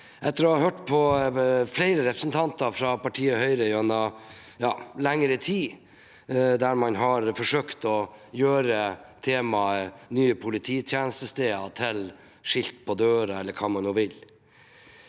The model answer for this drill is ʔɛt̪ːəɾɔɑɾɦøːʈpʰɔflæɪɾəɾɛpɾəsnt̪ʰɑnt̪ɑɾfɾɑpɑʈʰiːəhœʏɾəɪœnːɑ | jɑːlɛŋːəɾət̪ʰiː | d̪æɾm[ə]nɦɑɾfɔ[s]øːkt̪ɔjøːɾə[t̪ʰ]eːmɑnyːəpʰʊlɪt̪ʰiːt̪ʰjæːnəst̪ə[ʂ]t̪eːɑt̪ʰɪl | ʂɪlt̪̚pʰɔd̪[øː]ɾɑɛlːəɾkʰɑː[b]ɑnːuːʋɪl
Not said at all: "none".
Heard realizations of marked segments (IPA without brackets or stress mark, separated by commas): ɑ, ʂ, t̪ʰ, s, øː, m